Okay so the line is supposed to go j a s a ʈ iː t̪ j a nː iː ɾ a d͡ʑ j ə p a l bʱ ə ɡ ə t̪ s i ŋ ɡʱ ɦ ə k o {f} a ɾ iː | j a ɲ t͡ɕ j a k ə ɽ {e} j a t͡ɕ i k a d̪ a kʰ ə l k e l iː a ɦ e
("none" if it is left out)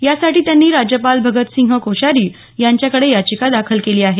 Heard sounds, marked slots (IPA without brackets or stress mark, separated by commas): ɕ, e